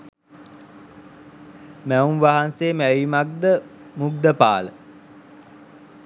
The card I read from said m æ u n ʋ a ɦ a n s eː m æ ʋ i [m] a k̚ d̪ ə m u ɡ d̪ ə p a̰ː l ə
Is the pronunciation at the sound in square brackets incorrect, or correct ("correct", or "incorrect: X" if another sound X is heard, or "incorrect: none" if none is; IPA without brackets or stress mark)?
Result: correct